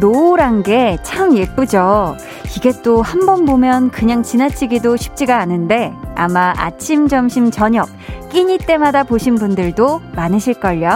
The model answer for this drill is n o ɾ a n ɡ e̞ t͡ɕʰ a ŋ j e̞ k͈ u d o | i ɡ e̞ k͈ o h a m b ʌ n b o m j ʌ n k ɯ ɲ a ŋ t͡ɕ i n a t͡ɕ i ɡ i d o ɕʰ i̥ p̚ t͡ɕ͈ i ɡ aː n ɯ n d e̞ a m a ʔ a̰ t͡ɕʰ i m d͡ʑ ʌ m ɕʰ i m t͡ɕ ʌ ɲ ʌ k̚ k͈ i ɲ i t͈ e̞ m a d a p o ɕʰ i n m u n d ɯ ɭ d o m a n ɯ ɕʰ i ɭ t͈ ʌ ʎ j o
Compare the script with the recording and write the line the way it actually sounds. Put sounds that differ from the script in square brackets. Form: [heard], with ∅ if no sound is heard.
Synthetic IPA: n o ɾ a n ɡ e̞ t͡ɕʰ a [m] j e̞ [p͈] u [d͡ʑ] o | i ɡ e̞ [t͈] o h a m b ʌ n b o m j ʌ n k ɯ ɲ a ŋ t͡ɕ i n a [t͡ɕʰ] i ɡ i d o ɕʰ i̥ p̚ t͡ɕ͈ i ɡ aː n ɯ n d e̞ a m a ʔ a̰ t͡ɕʰ i m d͡ʑ ʌ m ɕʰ i m t͡ɕ ʌ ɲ ʌ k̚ k͈ i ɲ i t͈ e̞ m a d a p o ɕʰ i n [b] u n d ɯ ɭ d o m a n ɯ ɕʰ i ɭ [k͈] ʌ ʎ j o